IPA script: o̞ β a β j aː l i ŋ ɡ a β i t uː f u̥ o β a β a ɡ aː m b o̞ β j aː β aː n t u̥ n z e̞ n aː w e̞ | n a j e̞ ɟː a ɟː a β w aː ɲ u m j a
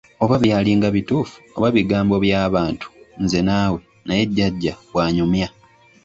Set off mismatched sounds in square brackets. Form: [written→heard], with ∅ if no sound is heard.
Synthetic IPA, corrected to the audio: o̞ β a β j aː l i ŋ ɡ a β i t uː f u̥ o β a β [a→i] ɡ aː m b o̞ β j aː β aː n t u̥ n z e̞ n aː w e̞ | n a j e̞ ɟː a ɟː a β w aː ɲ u m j a